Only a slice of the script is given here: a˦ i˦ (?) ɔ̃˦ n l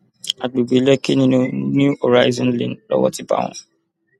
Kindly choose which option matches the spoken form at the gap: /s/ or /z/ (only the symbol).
z